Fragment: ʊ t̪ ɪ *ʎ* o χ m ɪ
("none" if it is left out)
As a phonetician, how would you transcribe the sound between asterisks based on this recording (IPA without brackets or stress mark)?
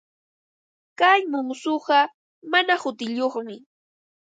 ʎ